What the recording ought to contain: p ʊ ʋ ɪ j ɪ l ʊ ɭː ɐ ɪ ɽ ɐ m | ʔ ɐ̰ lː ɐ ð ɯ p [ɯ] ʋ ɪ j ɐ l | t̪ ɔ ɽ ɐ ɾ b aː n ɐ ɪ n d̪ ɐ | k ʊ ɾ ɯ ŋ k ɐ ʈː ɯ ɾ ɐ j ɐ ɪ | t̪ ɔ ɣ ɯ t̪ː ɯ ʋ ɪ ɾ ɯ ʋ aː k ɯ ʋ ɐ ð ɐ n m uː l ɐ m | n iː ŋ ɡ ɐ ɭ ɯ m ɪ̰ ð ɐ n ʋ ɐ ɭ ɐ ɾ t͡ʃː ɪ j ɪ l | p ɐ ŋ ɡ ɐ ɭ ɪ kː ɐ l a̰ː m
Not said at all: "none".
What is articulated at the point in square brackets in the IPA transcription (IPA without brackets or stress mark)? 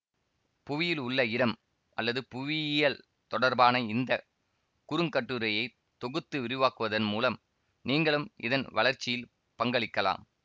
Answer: ʊ